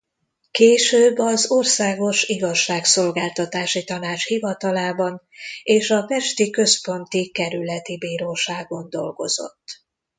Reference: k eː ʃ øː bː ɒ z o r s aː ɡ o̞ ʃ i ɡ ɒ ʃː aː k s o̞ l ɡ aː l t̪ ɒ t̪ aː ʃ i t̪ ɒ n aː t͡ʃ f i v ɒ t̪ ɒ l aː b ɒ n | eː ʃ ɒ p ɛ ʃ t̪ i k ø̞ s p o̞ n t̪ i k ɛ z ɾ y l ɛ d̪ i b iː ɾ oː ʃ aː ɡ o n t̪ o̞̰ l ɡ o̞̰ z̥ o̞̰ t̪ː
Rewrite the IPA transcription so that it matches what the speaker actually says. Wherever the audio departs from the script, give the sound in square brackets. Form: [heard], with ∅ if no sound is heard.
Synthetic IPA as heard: k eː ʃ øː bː ɒ z o r s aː ɡ o̞ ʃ i ɡ ɒ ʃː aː k s o̞ l ɡ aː l t̪ ɒ t̪ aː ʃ i t̪ ɒ n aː t͡ʃ [h] i v ɒ t̪ ɒ l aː b ɒ n | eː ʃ ɒ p ɛ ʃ t̪ i k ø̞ s p o̞ n t̪ i k ɛ [∅] ɾ y l ɛ [t̪] i b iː ɾ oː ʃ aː ɡ o n [d̪] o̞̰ l ɡ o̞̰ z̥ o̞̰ t̪ː

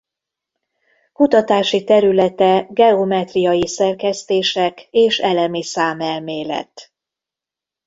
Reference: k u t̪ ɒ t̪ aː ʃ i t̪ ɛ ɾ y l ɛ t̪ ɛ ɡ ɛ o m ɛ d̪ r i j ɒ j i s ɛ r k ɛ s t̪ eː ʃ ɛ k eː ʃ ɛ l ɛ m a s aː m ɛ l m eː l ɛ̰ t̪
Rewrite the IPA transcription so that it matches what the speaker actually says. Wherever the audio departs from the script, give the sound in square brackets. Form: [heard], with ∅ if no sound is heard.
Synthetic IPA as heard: k u t̪ ɒ t̪ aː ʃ i t̪ ɛ ɾ y l ɛ t̪ ɛ ɡ ɛ o m ɛ [t̪] r i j ɒ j i s ɛ r k ɛ s t̪ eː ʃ ɛ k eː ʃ ɛ l ɛ m [i] s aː m ɛ l m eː l ɛ̰ t̪

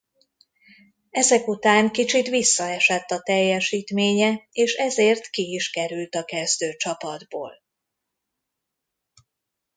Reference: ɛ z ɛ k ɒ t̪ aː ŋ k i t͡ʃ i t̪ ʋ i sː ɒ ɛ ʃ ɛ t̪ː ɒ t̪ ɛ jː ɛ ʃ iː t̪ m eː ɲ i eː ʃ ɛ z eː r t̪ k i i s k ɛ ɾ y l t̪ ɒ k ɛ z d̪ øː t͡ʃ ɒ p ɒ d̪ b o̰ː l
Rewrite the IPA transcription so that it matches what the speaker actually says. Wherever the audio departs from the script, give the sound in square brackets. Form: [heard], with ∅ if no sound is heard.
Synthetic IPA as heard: ɛ z ɛ k [u] t̪ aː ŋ k i t͡ʃ i t̪ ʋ i sː ɒ ɛ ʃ ɛ t̪ː ɒ t̪ ɛ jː ɛ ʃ iː t̪ m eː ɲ [ɛ] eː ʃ ɛ z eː r t̪ k i i [ʃ] k ɛ ɾ y l t̪ ɒ k ɛ z d̪ øː t͡ʃ ɒ p ɒ d̪ b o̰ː l

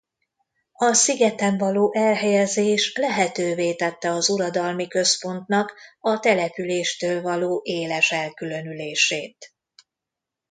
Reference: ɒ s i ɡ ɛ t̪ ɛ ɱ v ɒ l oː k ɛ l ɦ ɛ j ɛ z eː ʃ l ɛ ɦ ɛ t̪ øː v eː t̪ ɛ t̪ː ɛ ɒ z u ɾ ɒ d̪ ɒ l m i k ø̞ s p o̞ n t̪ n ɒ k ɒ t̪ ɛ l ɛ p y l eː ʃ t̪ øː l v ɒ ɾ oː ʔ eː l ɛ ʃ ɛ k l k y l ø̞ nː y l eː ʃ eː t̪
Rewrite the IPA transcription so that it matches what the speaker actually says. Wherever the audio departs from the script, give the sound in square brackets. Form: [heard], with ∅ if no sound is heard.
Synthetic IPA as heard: ɒ s i ɡ ɛ t̪ ɛ ɱ v ɒ l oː [ʔ] ɛ l ɦ ɛ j ɛ z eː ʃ l ɛ ɦ ɛ t̪ øː v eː t̪ ɛ t̪ː ɛ ɒ z u ɾ ɒ d̪ ɒ l m i k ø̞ s p o̞ n t̪ n ɒ k ɒ t̪ ɛ l ɛ p y l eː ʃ t̪ øː l v ɒ [l] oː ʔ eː l ɛ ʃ ɛ [∅] l k y l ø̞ [n] y l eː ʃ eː t̪

